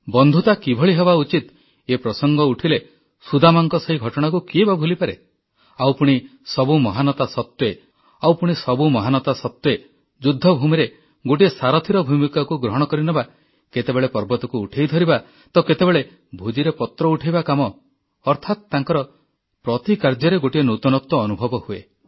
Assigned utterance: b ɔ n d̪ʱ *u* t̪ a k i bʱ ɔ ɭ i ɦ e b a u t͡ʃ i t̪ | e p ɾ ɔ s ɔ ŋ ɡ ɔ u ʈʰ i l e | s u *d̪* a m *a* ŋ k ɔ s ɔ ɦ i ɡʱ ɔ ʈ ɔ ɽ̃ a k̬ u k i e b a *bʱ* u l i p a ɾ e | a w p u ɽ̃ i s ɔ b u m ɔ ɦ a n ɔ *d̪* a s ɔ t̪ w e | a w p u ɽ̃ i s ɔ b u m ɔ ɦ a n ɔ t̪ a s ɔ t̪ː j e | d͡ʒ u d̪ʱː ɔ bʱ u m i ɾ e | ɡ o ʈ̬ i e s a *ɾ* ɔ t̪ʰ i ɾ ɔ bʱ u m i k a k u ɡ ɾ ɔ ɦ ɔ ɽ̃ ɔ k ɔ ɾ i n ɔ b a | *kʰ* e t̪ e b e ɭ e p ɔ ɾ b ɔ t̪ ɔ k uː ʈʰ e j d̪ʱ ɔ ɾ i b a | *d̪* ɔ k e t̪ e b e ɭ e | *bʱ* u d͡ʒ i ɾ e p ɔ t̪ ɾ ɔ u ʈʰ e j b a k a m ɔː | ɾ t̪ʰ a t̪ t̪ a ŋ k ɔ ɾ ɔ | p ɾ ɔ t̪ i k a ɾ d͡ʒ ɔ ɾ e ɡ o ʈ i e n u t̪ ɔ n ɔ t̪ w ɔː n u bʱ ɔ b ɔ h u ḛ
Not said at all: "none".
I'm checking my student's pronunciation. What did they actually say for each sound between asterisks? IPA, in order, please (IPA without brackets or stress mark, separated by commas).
u, d̪, a, bʱ, t̪, ɾ, k, t̪, bʱ